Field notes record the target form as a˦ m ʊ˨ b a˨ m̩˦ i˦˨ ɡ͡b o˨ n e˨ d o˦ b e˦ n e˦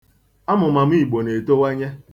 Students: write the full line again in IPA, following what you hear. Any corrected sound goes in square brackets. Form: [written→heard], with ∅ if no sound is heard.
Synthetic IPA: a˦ m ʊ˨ [b→m] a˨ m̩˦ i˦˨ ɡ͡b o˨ n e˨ [d→t] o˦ [b→w] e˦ [n→ɲ] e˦